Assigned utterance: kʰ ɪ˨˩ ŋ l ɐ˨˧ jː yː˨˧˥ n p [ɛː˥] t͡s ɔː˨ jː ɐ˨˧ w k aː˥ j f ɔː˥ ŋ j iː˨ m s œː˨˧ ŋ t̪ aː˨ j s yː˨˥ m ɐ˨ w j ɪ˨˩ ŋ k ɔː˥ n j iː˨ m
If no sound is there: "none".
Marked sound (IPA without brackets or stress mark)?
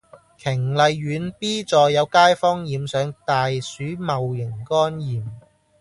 iː˥